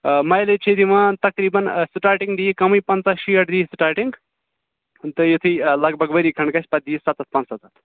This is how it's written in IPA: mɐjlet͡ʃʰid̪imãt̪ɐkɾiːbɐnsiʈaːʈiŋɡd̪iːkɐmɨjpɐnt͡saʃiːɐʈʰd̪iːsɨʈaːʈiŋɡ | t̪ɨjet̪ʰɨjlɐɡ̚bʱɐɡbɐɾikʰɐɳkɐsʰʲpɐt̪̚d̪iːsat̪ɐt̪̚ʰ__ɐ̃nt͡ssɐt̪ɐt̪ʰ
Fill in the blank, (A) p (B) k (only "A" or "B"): A